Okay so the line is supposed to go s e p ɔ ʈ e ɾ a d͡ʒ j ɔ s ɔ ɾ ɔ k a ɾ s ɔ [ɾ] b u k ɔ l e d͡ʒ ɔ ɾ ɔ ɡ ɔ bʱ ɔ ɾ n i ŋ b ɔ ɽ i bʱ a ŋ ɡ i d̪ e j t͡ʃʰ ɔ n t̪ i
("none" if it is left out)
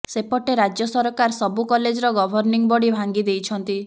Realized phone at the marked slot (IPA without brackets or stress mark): none